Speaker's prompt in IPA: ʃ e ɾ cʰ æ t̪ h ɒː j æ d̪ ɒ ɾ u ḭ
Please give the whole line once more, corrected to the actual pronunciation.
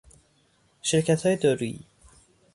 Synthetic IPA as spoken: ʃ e ɾ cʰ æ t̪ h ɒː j e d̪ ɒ ɾ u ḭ